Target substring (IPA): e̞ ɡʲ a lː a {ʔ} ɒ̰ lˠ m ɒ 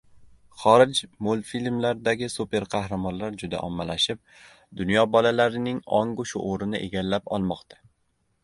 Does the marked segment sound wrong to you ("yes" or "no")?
yes